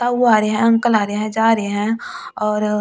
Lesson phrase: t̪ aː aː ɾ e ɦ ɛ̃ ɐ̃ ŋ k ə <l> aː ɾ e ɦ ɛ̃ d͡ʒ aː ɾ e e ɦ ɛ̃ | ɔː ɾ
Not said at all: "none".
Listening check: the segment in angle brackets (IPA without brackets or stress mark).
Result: l